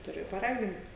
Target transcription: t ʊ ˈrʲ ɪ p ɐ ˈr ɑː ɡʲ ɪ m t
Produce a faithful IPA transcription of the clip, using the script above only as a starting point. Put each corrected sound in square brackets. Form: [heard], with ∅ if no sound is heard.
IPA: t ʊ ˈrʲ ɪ p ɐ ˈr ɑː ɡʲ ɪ [n] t